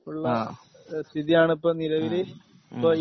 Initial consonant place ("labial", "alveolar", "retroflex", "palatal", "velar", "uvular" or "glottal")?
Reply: retroflex